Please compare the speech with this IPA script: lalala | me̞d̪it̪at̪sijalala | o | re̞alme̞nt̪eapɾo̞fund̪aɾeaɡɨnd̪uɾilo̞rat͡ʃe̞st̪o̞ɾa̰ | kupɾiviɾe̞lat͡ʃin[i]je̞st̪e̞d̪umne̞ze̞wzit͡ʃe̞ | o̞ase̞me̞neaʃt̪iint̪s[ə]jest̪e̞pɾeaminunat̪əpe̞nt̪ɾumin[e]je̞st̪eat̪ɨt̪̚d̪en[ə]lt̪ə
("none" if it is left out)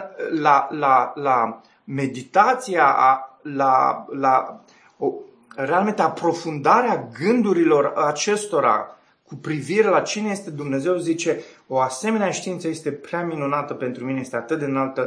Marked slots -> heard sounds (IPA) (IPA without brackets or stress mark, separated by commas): e, ə, e, a